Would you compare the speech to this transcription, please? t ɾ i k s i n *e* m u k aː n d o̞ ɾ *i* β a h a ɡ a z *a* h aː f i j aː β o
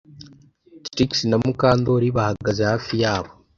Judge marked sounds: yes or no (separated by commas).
no, yes, no